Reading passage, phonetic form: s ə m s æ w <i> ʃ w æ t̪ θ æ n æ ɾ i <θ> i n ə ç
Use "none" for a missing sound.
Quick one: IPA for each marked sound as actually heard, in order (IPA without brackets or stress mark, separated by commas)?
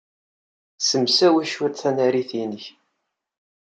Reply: æ, θ